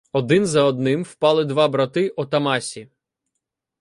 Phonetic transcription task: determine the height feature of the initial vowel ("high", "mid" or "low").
mid